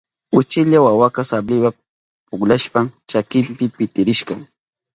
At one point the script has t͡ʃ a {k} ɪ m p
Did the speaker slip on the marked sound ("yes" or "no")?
no